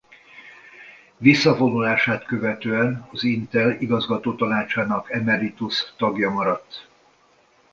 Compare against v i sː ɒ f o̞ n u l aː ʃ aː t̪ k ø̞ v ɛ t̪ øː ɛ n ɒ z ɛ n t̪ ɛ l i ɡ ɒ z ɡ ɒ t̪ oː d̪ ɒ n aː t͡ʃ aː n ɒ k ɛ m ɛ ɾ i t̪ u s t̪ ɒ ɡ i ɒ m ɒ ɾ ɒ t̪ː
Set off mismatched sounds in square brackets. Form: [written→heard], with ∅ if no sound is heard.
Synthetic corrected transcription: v i sː ɒ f o̞ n u l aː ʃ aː t̪ k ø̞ v ɛ t̪ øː ɛ n ɒ z [ɛ→i] n t̪ ɛ l i ɡ ɒ z ɡ ɒ t̪ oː [d̪→t̪] ɒ n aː t͡ʃ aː n ɒ k ɛ m ɛ ɾ i t̪ u s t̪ ɒ ɡ [i→j] ɒ m ɒ ɾ ɒ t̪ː